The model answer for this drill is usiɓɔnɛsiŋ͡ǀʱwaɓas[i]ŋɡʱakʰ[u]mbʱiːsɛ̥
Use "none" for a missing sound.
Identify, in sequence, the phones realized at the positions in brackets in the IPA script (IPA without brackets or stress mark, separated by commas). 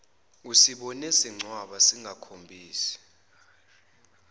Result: i, o